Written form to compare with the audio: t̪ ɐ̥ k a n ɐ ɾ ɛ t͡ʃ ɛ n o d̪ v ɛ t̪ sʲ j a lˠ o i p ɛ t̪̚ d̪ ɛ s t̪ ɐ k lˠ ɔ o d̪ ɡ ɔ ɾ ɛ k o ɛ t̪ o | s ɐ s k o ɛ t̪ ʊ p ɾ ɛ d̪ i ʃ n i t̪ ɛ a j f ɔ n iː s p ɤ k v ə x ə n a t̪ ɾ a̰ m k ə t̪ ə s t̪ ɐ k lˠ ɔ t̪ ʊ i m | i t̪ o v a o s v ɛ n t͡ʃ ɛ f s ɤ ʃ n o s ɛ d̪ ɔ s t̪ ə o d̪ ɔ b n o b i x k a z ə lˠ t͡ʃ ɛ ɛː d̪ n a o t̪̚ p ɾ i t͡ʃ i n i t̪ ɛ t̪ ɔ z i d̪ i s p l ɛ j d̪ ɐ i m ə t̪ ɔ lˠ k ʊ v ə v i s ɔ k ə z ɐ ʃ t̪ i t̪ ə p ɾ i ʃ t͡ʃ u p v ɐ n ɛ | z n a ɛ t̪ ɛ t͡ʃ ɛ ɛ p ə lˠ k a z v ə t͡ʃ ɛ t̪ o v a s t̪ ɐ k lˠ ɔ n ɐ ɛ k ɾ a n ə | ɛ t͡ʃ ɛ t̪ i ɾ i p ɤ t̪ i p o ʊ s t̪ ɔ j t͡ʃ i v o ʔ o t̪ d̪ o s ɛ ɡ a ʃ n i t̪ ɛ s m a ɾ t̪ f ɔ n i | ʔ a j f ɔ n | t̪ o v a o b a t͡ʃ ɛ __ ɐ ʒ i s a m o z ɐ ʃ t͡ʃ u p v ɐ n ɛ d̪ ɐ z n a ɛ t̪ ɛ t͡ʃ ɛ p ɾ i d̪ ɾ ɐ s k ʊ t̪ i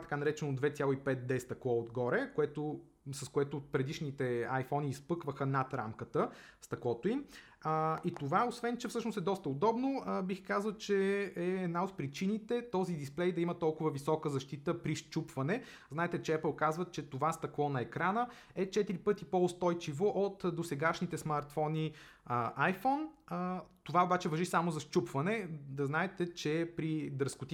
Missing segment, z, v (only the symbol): v